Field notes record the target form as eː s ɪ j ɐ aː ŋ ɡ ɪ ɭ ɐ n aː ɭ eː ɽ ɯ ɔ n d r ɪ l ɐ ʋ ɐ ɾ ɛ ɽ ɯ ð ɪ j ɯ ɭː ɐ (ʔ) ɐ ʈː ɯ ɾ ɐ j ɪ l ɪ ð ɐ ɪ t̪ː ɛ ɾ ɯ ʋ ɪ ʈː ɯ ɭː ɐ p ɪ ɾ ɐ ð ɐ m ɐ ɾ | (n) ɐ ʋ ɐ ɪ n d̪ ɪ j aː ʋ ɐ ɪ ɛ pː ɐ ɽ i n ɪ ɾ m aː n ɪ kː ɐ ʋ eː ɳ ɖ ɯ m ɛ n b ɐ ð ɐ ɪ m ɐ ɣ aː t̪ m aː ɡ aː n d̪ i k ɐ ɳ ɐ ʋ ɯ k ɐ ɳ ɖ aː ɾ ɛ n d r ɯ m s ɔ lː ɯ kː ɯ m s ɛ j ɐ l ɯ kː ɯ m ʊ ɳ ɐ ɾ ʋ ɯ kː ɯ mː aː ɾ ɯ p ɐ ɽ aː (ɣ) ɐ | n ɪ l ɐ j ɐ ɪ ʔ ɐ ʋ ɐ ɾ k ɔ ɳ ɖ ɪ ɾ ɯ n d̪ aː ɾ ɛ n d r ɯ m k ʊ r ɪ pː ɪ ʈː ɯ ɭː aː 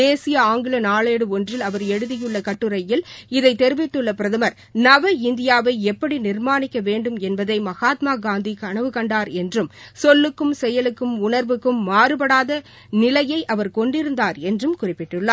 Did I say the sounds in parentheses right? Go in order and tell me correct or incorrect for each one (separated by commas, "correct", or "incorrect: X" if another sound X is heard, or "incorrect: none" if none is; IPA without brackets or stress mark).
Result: incorrect: k, correct, incorrect: ð